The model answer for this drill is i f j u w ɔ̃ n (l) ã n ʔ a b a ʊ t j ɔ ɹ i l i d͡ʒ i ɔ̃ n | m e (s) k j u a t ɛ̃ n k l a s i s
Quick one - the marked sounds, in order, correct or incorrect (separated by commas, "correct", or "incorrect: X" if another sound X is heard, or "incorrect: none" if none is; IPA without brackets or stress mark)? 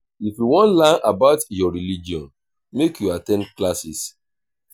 correct, incorrect: none